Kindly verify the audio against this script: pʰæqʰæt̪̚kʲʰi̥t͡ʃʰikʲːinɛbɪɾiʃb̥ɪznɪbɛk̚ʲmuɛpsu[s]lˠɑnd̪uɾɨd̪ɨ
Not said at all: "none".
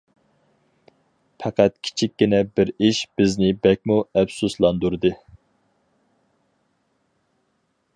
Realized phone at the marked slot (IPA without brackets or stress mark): s